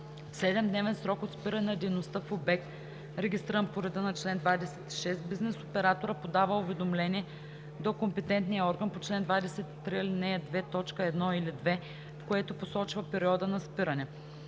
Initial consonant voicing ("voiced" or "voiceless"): voiceless